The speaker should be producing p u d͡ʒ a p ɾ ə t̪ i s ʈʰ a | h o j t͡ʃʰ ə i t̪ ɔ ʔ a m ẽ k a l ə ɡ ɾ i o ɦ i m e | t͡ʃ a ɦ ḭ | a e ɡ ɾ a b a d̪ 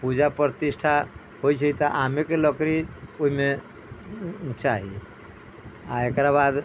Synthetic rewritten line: p u d͡ʒ a p ɾ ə t̪ i s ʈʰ a | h o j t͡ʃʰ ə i t̪ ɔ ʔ a m e k e l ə k ɾ i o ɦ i m e | t͡ʃ a ɦ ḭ | a e k ɾ a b a d̪